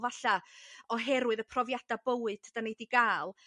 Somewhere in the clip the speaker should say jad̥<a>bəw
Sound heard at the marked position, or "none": a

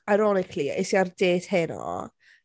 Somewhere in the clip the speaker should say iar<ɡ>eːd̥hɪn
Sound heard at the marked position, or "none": d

